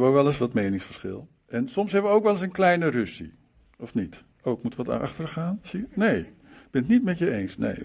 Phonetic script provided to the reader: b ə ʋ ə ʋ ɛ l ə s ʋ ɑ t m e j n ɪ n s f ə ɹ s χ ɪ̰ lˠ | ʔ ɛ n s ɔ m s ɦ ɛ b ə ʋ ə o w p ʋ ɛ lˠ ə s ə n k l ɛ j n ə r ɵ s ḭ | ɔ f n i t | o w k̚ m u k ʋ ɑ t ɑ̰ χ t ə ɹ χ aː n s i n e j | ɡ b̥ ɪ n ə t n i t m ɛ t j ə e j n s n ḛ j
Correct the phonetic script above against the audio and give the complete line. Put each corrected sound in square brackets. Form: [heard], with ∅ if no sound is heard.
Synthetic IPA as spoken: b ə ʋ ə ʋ ɛ l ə s ʋ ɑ t m e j n ɪ [ŋ] s f ə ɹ s χ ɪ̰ lˠ | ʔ ɛ n s ɔ m s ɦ ɛ b ə ʋ ə o w [k] ʋ ɛ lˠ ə s ə n k l ɛ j n ə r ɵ s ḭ | ɔ f n i t | o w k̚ m u [t] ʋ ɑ t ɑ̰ χ t ə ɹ χ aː n s i n e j | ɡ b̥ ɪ n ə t n i t m ɛ t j ə e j n s n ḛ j